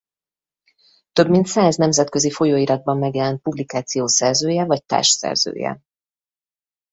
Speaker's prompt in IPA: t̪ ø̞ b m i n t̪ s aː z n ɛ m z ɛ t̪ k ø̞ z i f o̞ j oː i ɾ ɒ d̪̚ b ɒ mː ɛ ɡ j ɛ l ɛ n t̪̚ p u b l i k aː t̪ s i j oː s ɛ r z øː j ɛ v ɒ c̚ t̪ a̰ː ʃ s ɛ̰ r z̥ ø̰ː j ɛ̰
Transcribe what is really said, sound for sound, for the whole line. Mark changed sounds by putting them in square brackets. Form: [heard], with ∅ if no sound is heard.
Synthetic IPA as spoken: t̪ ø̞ b m i n t̪ s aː z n ɛ m z ɛ t̪ k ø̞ z i f o̞ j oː i ɾ ɒ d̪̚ b ɒ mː ɛ ɡ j ɛ l ɛ n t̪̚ p u b l i k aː t̪ s i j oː s ɛ r z øː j ɛ v ɒ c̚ t̪ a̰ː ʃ s ɛ̰ r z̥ ø̰ː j ɛ̰